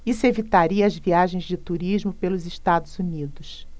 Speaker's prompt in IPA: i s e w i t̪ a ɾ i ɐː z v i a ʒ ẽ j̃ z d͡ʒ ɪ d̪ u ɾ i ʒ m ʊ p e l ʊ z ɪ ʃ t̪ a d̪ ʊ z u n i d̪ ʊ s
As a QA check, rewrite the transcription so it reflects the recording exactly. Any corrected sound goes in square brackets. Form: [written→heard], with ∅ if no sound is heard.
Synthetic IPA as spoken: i s e [w→v] i t̪ a ɾ i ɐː z v i a ʒ ẽ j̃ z d͡ʒ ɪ [d̪→t̪] u ɾ i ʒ m ʊ p e l ʊ z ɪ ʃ t̪ a d̪ ʊ z u n i d̪ ʊ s